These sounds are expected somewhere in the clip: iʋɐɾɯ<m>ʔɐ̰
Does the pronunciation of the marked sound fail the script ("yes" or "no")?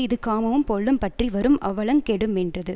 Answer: no